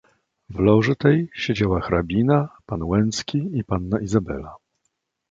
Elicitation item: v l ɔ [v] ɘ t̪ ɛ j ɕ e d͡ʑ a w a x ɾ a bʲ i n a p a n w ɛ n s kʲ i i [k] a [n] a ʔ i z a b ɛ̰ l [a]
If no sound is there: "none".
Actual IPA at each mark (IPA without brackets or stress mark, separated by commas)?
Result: ʐ, p, nː, a